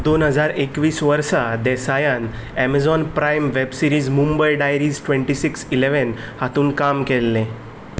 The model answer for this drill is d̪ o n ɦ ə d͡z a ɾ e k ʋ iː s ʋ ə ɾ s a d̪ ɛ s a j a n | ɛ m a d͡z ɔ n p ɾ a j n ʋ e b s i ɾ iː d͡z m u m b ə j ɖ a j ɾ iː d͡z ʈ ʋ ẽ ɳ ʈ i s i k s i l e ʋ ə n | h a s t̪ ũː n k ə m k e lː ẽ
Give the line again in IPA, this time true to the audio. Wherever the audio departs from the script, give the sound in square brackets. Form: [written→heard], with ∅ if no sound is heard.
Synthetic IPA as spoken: d̪ o n ɦ ə d͡z a ɾ e k ʋ iː s ʋ ə ɾ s a d̪ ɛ s a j a n | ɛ m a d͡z ɔ n p ɾ a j [n→m] ʋ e b s i ɾ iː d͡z m u m b ə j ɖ a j ɾ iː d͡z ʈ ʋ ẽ ɳ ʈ i s i k s i l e ʋ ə n | h a [s→∅] t̪ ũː n k [ə→a] m k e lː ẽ